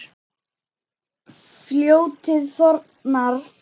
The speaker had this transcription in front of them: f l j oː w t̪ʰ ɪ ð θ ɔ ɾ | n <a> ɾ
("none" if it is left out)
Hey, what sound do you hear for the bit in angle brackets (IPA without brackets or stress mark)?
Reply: a